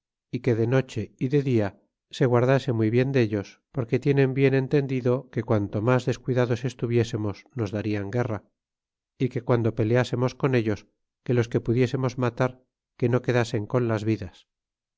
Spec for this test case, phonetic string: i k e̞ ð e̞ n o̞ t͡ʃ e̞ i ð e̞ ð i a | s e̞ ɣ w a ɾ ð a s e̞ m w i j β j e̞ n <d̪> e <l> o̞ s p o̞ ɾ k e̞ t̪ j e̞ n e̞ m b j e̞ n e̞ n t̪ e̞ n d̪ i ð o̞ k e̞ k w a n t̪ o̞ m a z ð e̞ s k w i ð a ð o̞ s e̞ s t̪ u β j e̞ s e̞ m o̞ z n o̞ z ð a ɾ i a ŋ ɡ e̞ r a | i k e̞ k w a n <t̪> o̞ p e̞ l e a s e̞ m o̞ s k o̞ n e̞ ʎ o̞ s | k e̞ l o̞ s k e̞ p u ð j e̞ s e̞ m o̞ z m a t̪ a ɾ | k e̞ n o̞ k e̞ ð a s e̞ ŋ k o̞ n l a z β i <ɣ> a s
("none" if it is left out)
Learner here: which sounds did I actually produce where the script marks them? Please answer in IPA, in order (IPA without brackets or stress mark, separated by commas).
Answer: d̪, ʎ, d̪, ð